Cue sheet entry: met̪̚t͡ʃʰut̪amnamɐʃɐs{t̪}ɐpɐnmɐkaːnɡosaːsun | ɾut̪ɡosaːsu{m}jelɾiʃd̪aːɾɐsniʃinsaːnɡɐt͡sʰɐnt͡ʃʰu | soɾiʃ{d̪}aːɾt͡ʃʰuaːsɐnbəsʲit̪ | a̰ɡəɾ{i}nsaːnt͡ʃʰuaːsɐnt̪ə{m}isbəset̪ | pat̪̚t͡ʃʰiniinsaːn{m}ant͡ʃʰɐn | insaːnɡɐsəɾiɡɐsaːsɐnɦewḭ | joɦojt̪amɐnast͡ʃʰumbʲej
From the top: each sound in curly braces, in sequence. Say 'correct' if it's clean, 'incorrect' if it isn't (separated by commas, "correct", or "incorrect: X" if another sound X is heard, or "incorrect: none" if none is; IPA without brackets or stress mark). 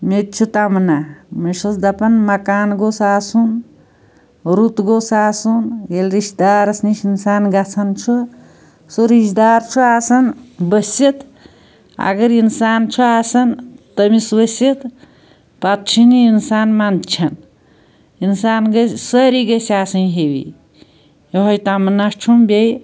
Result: incorrect: d̪, incorrect: n, correct, correct, correct, correct